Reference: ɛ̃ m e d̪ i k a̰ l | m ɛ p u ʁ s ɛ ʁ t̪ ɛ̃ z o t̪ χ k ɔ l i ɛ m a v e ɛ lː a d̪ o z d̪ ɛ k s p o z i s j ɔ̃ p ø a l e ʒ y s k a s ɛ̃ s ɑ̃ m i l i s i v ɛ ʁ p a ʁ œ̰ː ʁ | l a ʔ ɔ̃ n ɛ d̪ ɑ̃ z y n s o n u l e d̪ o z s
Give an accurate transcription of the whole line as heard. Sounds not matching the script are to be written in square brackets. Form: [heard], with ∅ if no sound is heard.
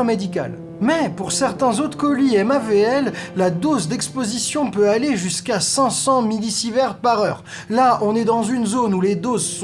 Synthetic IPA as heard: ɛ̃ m e d̪ i k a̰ l | m ɛ p u ʁ s ɛ ʁ t̪ ɛ̃ z o t̪ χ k ɔ l i ɛ m a v e ɛ lː a d̪ o z d̪ ɛ k s p o z i s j ɔ̃ p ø a l e ʒ y s k a s ɛ̃ s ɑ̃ m i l i s i v ɛ ʁ p a ʁ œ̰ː ʁ | l a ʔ ɔ̃ n ɛ d̪ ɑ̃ z y n [z] o n u l e d̪ o z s